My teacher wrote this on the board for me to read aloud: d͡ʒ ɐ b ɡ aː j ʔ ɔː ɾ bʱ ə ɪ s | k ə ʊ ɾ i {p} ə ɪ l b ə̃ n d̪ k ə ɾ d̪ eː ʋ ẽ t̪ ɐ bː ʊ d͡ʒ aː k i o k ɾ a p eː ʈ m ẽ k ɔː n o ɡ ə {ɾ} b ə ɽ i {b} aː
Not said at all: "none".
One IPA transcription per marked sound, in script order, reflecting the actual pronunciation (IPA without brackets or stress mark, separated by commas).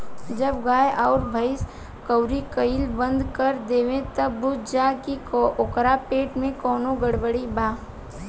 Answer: k, ɽ, b